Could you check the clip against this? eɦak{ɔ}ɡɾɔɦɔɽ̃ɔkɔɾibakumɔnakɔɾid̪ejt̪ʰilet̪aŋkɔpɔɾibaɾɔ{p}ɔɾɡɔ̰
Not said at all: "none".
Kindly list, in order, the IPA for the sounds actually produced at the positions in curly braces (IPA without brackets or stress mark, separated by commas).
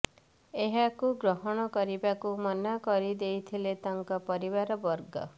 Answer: u, b